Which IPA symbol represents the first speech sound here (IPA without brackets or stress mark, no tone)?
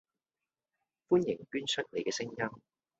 f